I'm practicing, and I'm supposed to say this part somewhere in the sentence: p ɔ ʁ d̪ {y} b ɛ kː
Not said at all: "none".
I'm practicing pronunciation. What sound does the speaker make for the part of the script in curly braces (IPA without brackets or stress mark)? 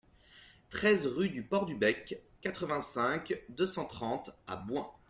y